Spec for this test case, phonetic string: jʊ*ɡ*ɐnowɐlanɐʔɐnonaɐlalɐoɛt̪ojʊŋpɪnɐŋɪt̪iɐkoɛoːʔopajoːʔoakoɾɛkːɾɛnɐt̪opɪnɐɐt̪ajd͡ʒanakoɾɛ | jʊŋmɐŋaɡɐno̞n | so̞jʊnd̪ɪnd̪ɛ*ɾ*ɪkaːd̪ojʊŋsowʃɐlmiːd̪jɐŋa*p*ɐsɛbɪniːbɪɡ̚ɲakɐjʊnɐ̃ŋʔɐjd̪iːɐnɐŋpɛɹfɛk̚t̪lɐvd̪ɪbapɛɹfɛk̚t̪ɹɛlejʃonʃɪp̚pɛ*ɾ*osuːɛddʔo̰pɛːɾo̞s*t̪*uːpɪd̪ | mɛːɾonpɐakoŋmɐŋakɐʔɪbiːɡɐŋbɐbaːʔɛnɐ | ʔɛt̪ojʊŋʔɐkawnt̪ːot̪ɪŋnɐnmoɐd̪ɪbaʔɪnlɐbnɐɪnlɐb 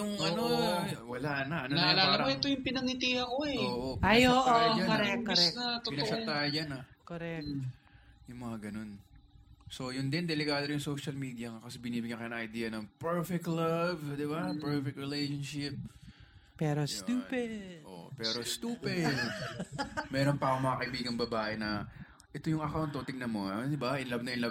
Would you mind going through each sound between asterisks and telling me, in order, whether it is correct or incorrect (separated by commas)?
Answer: incorrect, incorrect, incorrect, correct, correct